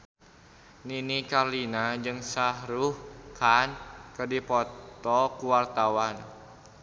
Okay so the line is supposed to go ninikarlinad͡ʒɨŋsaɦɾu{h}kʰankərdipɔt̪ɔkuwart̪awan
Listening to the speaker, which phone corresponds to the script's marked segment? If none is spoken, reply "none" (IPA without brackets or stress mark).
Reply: h